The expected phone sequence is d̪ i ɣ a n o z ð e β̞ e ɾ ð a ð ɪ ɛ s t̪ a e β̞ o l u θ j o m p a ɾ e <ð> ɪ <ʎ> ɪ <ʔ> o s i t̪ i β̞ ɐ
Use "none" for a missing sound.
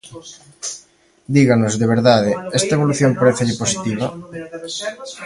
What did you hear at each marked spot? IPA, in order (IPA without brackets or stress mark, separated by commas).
θ, ʎ, p